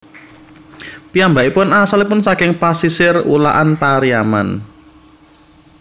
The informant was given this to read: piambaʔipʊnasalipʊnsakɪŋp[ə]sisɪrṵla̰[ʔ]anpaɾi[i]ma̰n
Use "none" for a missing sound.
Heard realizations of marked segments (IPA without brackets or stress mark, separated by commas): a, ʔ, a